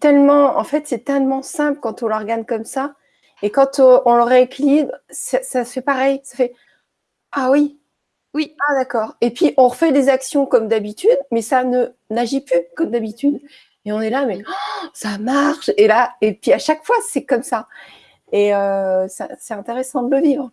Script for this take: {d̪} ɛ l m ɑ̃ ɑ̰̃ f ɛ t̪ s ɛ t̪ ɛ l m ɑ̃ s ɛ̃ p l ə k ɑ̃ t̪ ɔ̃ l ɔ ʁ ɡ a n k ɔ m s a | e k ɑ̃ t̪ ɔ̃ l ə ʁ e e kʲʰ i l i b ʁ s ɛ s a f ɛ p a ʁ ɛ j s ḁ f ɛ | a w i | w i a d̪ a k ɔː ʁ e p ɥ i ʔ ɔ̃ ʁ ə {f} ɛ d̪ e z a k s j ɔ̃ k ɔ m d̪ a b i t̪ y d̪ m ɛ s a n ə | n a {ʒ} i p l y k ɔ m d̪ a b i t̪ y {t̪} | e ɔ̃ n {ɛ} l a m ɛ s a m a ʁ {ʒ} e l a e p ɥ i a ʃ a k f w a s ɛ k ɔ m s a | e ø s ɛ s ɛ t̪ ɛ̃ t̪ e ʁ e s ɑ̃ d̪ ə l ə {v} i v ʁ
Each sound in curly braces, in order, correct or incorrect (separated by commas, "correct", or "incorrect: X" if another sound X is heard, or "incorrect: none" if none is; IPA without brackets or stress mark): incorrect: t̪, correct, correct, incorrect: d̪, correct, incorrect: ʃ, correct